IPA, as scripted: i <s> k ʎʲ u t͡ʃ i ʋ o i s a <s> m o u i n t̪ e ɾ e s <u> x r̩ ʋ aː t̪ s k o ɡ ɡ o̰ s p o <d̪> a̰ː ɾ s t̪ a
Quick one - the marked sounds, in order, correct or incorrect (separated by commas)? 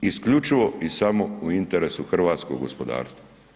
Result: correct, incorrect, correct, correct